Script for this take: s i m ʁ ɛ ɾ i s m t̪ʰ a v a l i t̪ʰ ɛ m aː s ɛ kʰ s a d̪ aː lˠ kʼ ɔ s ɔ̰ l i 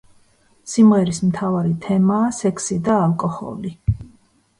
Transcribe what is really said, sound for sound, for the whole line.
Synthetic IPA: s i m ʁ ɛ ɾ i s m t̪ʰ a v a ɾ i t̪ʰ ɛ m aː s ɛ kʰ s i d̪ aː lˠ kʼ ɔ h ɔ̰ l i